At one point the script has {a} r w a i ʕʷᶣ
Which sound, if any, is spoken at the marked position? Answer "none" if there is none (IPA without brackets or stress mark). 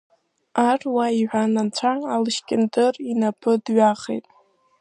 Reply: a